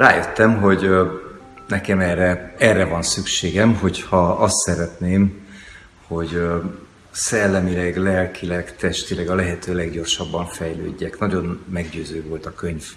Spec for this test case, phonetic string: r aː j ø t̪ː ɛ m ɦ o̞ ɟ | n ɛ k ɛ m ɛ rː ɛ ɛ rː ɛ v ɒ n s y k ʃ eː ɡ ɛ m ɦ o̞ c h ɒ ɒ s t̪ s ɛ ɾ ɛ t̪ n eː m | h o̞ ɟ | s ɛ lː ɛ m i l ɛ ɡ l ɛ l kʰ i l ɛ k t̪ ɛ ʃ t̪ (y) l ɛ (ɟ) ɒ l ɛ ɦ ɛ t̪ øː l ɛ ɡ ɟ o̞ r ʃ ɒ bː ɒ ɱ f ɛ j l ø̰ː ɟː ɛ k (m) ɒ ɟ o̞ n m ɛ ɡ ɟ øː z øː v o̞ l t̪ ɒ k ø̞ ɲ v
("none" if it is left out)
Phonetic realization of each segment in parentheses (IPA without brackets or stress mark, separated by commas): i, ɡ, n